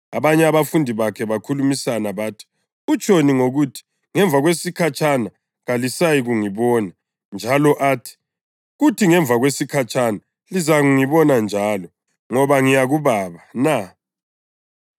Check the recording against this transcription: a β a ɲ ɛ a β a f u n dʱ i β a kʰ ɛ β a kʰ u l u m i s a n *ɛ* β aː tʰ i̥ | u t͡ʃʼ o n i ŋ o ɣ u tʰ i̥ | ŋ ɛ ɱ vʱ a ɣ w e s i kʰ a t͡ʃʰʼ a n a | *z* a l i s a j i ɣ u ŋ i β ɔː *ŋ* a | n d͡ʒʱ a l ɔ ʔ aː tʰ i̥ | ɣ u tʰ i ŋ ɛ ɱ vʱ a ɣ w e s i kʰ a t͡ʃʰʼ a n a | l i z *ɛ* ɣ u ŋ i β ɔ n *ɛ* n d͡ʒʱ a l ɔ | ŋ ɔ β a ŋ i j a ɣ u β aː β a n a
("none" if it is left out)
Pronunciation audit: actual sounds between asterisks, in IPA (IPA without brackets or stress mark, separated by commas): a, ɣ, n, a, a